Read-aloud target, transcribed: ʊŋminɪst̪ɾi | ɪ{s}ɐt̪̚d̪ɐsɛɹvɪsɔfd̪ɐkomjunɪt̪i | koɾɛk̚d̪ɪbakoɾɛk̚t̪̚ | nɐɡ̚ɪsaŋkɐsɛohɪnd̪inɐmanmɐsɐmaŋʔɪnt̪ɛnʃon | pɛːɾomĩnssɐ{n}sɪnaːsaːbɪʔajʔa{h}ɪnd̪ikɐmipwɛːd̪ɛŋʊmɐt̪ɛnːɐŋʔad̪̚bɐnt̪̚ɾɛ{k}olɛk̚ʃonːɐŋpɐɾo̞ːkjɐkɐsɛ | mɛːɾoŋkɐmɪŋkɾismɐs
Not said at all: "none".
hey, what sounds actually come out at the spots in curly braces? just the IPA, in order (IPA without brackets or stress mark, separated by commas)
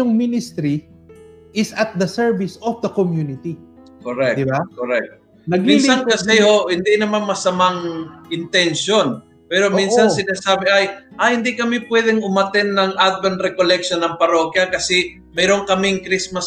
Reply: s, n, h, k